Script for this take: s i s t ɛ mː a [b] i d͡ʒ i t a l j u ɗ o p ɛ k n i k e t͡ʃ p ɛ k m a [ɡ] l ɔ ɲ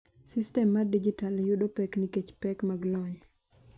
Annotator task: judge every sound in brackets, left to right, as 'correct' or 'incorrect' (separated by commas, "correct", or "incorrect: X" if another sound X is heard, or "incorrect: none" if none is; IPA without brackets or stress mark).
incorrect: d, correct